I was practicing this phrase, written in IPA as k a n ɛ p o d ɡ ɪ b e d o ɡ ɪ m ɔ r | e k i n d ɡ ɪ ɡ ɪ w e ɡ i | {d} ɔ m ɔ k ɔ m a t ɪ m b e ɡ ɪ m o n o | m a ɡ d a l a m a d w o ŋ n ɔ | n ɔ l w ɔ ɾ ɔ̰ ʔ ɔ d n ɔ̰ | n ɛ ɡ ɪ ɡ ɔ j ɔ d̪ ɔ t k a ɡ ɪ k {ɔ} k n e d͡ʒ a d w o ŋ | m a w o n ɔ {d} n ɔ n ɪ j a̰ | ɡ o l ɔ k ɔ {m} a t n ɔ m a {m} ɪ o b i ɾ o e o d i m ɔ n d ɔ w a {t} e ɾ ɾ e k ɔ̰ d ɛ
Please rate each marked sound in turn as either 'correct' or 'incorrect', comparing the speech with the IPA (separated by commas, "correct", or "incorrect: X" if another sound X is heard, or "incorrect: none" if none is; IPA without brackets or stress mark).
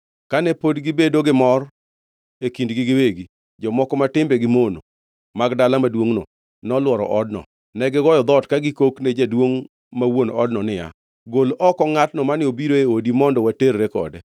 incorrect: d͡ʒ, incorrect: o, correct, incorrect: ŋ, incorrect: n, correct